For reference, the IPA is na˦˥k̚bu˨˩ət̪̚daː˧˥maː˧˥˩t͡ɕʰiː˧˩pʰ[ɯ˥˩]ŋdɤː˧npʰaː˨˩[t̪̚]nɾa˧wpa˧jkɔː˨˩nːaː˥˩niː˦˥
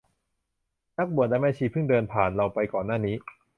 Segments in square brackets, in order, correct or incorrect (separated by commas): correct, incorrect